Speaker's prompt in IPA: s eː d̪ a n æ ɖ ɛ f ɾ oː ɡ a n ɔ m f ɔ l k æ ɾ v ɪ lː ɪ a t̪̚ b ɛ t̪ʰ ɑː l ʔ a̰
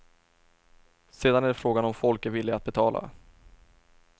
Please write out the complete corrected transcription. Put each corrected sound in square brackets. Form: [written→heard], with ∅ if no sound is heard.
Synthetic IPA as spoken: s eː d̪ a n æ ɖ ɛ f ɾ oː ɡ a n ɔ m f ɔ l k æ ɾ v ɪ lː ɪ a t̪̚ b ɛ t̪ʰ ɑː l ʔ a̰